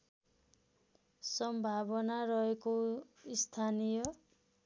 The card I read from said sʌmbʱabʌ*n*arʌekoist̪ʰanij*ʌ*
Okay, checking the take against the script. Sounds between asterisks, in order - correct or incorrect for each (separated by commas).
correct, correct